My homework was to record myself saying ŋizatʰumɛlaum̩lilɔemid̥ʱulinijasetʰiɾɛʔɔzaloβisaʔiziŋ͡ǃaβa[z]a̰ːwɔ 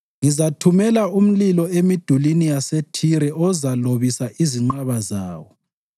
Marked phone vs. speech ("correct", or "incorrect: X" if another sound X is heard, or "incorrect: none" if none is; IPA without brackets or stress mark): correct